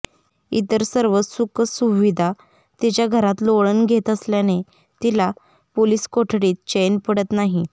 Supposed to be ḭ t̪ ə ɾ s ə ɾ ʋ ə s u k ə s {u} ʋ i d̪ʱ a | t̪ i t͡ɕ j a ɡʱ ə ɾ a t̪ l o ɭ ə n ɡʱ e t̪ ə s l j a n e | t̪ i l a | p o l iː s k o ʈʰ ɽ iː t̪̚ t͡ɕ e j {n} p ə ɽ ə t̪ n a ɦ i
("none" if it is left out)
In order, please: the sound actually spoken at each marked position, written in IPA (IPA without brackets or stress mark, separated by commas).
u, n